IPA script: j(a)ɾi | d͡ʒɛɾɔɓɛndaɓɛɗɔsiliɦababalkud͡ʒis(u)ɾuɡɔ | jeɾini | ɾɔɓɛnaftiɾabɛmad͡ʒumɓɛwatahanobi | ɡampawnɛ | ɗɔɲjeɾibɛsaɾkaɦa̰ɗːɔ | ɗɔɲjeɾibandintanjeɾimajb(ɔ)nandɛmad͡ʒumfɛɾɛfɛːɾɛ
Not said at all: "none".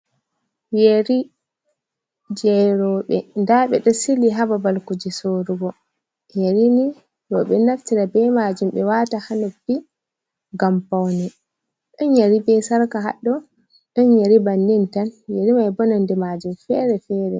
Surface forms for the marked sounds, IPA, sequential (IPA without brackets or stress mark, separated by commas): e, o, ɔ